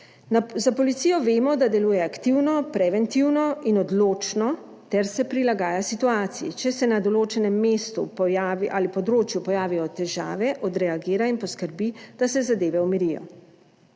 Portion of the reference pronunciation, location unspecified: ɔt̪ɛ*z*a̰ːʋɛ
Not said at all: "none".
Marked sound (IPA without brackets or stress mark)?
ʒ